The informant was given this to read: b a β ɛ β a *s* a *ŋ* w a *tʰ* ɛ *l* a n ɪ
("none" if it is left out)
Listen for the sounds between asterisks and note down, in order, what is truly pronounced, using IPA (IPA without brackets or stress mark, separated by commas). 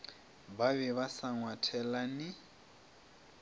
s, ŋ, tʰ, l